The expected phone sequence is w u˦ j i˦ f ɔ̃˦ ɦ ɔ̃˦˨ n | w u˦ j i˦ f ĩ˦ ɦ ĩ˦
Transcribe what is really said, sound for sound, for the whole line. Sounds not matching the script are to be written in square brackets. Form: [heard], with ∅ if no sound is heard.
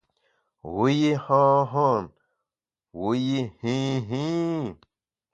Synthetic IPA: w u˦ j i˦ [h] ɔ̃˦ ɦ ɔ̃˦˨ n | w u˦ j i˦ [h] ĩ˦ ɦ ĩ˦